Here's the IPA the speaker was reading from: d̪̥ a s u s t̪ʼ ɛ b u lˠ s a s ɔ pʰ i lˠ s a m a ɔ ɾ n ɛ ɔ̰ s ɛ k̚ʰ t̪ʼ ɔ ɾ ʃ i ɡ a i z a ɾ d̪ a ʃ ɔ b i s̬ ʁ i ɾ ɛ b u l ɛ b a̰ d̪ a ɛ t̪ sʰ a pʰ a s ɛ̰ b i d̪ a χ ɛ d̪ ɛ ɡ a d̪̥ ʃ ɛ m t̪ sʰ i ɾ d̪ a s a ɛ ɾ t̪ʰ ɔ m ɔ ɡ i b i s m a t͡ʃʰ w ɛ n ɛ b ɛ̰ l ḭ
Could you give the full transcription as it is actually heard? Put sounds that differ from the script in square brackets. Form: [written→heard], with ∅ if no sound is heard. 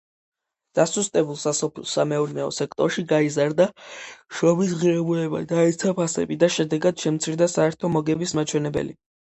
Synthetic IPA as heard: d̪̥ a s u s t̪ʼ ɛ b u lˠ s a s ɔ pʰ i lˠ s a m [a→ɛ] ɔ ɾ n ɛ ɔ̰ s ɛ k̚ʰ t̪ʼ ɔ ɾ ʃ i ɡ a i z a ɾ d̪ a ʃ ɔ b i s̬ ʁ i ɾ ɛ b u l ɛ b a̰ d̪ a ɛ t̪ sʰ a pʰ a s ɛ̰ b i d̪ a [χ→ʃ] ɛ d̪ ɛ ɡ a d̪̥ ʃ ɛ m t̪ sʰ i ɾ d̪ a s a ɛ ɾ t̪ʰ ɔ m ɔ ɡ [i→ɛ] b i s m a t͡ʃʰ w ɛ n ɛ b ɛ̰ l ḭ

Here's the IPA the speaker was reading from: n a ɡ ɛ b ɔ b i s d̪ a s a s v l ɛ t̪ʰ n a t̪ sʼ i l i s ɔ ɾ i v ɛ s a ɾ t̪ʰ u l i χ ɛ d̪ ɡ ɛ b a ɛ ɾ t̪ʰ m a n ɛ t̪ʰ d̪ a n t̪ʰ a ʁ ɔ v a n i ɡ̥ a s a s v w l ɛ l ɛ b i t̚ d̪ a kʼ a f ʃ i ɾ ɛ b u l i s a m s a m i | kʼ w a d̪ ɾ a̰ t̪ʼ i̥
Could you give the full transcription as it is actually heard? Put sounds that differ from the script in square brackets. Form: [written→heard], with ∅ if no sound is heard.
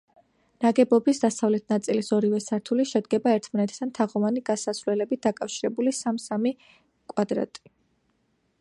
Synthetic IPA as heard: n a ɡ ɛ b ɔ b i s d̪ a s a [s→∅] v l ɛ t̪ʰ n a t̪ sʼ i l i s ɔ ɾ i v ɛ s a ɾ t̪ʰ u l i [χ→ʃ] ɛ d̪ ɡ ɛ b a ɛ ɾ t̪ʰ m a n ɛ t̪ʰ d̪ a n t̪ʰ a ʁ ɔ v a n i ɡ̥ a s a s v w l ɛ l ɛ b i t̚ d̪ a kʼ a f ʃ i ɾ ɛ b u l i s a m s a m i | kʼ w a d̪ ɾ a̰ t̪ʼ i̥

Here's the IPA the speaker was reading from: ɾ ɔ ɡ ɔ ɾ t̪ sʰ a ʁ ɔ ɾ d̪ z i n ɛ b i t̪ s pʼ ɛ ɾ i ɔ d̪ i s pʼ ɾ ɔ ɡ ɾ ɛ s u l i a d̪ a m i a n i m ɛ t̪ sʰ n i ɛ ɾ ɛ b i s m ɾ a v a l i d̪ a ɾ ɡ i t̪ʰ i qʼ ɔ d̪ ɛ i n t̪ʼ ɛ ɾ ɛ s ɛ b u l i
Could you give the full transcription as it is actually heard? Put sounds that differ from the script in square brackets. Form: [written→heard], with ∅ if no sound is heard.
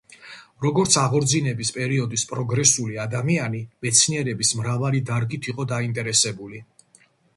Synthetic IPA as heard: ɾ ɔ ɡ ɔ ɾ t̪ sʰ a ʁ ɔ ɾ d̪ z i n ɛ b i [t̪→∅] s pʼ ɛ ɾ i ɔ d̪ i s pʼ ɾ ɔ ɡ ɾ ɛ s u l i a d̪ a m i a n i m ɛ t̪ sʰ n i ɛ ɾ ɛ b i s m ɾ a v a l i d̪ a ɾ ɡ i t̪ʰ i qʼ ɔ d̪ [ɛ→a] i n t̪ʼ ɛ ɾ ɛ s ɛ b u l i

